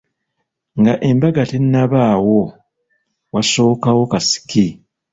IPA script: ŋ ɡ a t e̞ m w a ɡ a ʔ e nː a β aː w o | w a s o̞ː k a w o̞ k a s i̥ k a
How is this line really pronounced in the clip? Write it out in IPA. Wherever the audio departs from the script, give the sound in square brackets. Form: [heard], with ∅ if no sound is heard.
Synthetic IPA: ŋ ɡ a [ʔ] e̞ m [b] a ɡ a [t] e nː a β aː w o | w a s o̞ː k a w o̞ k a s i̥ k [i]